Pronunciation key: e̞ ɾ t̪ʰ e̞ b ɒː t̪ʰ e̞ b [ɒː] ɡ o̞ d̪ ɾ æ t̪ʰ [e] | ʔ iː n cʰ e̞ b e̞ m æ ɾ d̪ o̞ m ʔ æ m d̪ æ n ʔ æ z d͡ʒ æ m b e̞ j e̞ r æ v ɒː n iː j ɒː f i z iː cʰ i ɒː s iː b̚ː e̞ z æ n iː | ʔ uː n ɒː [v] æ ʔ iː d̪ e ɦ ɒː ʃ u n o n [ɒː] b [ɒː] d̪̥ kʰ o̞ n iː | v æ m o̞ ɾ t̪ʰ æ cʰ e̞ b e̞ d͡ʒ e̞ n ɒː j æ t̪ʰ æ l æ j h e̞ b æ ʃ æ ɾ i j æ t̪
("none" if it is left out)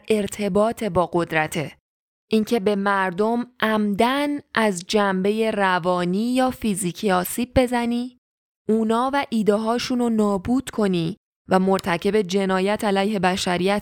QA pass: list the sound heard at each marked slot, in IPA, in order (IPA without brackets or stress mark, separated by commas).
ɒː, e, v, ɒː, uː